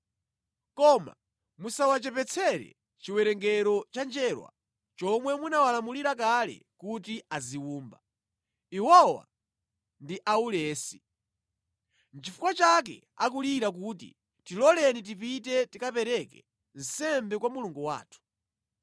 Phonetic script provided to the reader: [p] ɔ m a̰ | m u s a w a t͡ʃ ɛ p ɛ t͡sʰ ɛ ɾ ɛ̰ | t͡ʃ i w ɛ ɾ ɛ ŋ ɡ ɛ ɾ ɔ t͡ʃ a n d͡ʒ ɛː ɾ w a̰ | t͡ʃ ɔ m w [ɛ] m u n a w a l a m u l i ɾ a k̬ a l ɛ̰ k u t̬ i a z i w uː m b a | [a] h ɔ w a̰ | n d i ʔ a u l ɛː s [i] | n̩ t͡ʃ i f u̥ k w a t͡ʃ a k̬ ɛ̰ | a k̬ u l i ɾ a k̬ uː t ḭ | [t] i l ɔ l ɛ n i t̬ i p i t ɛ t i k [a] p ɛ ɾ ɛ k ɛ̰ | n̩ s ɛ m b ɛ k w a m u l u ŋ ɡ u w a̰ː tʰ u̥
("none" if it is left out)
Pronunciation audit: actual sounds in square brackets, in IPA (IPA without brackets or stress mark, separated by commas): k, ɛ, i, i, t, a